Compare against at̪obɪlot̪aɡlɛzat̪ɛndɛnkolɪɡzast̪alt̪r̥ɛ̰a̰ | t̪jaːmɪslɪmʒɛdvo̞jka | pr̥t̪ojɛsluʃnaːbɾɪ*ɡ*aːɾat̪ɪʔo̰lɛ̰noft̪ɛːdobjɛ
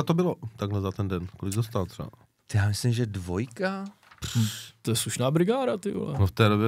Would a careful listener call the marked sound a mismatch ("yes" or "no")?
no